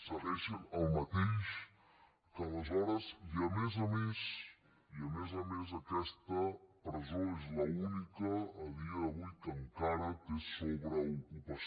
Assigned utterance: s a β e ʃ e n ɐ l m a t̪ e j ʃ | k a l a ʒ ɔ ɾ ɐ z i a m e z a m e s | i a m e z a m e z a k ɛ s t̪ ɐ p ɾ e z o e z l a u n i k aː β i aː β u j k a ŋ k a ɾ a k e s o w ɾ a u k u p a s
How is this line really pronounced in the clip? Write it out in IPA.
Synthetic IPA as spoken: s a β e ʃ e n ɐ l m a t̪ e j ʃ | k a l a z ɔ ɾ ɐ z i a m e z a m e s | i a m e z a m e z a k ɛ s t̪ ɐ p ɾ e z o e z l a u n i k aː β i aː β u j k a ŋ k a ɾ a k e s o β ɾ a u k u p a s